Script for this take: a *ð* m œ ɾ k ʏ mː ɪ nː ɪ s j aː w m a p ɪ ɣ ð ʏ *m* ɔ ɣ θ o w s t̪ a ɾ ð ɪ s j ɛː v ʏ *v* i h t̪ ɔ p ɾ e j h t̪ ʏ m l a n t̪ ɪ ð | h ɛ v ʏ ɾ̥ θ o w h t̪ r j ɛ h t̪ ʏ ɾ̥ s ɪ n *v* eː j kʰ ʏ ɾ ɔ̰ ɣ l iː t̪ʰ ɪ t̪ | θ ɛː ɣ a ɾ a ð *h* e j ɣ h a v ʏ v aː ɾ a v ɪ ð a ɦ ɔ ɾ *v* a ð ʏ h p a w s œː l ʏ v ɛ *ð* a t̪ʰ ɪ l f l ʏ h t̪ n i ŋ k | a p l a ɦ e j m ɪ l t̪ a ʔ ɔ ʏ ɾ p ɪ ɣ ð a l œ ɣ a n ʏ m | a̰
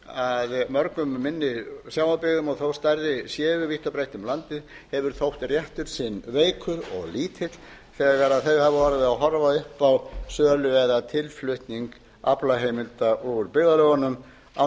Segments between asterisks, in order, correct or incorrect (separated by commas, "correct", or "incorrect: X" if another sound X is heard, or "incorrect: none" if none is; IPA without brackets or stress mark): correct, correct, correct, correct, incorrect: θ, correct, correct